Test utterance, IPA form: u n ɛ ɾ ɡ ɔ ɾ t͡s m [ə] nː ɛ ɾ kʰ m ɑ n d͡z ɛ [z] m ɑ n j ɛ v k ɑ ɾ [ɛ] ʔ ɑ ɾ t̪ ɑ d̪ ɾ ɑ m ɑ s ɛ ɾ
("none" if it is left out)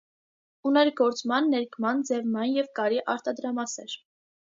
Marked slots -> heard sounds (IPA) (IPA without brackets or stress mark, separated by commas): ɑ, v, i